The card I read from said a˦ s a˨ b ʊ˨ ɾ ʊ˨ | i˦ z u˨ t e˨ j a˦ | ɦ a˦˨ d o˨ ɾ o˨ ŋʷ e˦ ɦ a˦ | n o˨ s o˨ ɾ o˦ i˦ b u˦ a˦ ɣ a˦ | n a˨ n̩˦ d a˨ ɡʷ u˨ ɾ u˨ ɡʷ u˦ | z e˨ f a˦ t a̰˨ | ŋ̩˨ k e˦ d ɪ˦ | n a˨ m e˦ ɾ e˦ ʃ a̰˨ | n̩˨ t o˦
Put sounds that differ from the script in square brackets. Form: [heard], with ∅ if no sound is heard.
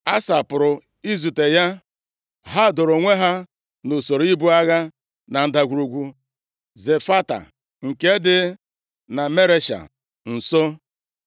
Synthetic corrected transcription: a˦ s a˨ [p] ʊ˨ ɾ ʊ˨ | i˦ z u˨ t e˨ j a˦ | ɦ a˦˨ d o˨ ɾ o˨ ŋʷ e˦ ɦ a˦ | n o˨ s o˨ ɾ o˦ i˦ b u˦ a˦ ɣ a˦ | n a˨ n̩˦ d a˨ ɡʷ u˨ ɾ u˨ ɡʷ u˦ | z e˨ f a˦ t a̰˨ | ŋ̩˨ k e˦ d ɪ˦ | n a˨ m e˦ ɾ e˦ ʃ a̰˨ | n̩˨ [s] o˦